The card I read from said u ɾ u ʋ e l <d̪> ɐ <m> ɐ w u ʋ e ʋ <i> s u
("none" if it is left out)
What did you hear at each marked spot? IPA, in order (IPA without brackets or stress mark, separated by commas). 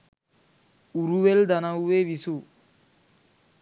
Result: d̪, n, i